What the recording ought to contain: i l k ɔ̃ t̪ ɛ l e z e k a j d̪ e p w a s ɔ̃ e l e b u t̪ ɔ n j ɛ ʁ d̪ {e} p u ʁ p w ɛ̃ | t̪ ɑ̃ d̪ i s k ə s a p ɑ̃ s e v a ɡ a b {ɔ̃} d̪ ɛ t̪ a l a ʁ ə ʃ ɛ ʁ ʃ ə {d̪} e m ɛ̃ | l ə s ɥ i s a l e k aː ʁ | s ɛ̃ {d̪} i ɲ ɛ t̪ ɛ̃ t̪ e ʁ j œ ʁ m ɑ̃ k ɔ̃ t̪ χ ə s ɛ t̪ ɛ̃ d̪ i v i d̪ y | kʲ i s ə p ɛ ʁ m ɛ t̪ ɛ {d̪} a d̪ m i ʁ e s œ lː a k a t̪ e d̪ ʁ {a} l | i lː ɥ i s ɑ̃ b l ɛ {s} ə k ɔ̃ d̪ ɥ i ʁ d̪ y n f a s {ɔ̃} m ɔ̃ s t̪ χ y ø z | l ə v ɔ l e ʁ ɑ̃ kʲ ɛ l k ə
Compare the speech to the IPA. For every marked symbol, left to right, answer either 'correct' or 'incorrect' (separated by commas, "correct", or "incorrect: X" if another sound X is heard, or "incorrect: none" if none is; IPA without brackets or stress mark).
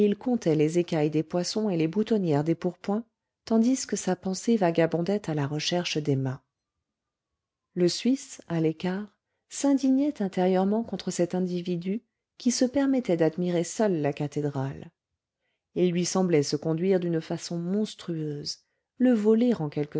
correct, correct, correct, correct, correct, correct, correct, correct